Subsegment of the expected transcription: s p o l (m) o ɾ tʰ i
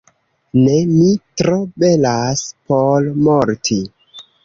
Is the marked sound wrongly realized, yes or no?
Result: no